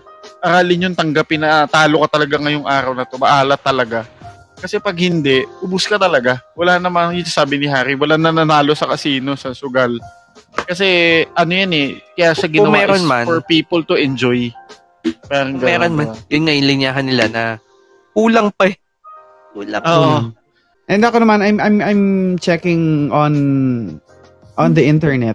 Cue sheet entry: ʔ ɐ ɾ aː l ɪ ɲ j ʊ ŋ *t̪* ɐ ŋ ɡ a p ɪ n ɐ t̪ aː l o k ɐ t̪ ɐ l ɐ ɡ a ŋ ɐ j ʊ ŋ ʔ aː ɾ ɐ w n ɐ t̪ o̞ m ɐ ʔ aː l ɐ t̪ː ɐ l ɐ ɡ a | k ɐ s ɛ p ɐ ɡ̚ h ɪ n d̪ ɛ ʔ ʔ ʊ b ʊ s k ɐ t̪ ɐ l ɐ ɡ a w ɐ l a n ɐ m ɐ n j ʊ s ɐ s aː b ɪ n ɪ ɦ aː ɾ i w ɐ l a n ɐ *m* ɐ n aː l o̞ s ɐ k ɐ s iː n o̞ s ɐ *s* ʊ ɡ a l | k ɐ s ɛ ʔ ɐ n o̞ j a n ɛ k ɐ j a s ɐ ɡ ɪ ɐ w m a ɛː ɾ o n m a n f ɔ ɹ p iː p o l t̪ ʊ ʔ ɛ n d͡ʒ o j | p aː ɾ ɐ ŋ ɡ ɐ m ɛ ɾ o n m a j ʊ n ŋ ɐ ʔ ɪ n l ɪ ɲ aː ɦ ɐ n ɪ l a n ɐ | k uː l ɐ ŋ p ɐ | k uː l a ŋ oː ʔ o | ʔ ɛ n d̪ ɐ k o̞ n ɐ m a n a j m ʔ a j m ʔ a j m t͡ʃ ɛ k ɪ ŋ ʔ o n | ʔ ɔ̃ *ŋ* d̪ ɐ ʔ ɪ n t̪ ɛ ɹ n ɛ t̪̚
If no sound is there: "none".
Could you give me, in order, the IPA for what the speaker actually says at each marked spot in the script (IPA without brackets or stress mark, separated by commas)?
t̪, n, s, n